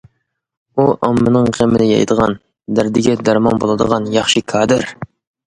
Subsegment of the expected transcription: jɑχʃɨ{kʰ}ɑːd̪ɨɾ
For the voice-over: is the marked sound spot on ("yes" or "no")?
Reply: yes